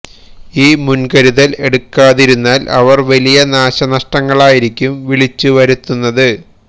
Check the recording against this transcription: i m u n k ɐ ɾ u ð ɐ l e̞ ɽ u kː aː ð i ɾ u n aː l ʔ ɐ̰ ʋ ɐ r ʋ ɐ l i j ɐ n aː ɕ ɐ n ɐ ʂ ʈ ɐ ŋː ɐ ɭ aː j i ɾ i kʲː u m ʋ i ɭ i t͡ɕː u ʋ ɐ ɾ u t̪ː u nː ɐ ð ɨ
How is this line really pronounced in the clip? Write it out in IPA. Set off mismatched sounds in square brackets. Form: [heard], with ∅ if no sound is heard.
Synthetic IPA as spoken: [iː] m u n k ɐ ɾ u ð ɐ l e̞ ɽ u kː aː ð i ɾ u [nː] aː l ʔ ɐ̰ ʋ ɐ r ʋ ɐ l i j ɐ n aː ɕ ɐ n ɐ ʂ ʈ ɐ ŋː ɐ ɭ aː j i ɾ i kʲː u m ʋ i ɭ i t͡ɕː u ʋ ɐ ɾ u t̪ː u nː ɐ ð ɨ